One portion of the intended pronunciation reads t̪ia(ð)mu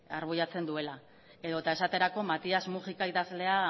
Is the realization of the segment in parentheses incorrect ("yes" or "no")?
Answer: yes